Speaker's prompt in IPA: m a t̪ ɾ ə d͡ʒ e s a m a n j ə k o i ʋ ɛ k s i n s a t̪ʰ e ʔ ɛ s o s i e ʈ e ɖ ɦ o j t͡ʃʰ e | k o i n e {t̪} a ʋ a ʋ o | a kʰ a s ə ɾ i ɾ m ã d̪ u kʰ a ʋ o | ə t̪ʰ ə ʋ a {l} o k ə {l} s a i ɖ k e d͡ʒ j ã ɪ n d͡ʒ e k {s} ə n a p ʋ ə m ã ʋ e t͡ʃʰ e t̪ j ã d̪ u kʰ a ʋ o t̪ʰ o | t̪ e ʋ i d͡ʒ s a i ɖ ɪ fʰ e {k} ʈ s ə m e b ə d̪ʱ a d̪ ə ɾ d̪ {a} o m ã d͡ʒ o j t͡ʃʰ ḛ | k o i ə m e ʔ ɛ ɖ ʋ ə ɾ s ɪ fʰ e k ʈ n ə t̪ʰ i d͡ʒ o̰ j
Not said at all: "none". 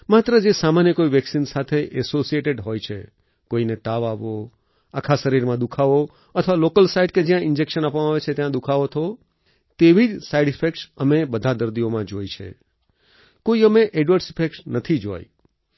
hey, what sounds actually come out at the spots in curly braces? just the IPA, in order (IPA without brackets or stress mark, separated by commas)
t̪, l, l, ʃ, k, i